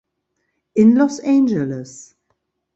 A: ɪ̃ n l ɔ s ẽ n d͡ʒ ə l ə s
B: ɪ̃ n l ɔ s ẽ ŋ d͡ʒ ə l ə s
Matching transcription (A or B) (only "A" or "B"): A